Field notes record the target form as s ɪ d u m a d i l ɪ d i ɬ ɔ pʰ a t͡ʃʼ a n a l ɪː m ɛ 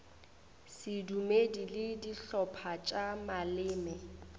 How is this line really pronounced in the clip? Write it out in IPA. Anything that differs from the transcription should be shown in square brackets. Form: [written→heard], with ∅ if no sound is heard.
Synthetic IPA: s ɪ d u m [a→e] d i l ɪ d i ɬ ɔ pʰ a t͡ʃʼ a [n→m] a l ɪː m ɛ